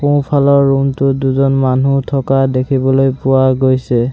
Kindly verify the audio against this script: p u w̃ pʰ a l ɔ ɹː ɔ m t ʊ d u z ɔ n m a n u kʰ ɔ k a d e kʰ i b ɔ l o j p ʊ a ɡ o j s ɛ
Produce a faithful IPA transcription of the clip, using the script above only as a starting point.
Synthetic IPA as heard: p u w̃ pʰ a l ɔ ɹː u m t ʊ d u z ɔ n m a n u tʰ ɔ k a d e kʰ i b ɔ l o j p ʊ a ɡ o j s ɛ

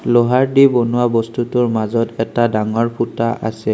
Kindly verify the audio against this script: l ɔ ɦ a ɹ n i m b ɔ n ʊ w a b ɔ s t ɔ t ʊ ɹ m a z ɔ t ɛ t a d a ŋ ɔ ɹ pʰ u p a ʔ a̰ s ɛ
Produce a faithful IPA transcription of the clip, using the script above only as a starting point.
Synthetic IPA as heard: l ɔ ɦ a ɹ d i b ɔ n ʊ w a b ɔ s t u t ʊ ɹ m a z ɔ t ɛ t a d a ŋ ɔ ɹ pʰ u t a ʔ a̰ s ɛ

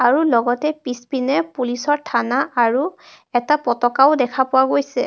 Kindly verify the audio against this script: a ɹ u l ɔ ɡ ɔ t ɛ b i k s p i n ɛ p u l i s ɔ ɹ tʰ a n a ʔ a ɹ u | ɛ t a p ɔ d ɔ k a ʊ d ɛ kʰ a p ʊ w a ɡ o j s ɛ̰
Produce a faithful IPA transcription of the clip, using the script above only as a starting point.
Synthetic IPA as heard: a ɹ u l ɔ ɡ ɔ t ɛ p i s p i n ɛ p u l i s ɔ ɹ tʰ a n a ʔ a ɹ u | ɛ t a p ɔ t ɔ k a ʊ d ɛ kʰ a p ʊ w a ɡ o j s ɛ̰

